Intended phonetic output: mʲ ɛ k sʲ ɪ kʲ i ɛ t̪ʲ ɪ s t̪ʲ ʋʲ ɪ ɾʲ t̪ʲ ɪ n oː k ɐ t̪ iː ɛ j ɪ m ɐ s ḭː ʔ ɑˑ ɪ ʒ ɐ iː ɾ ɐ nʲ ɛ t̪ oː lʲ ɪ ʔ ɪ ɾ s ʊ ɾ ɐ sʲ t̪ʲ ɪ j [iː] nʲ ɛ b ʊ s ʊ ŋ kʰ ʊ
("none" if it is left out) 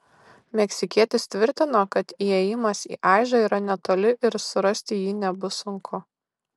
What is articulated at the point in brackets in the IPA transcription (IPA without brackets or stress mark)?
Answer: iː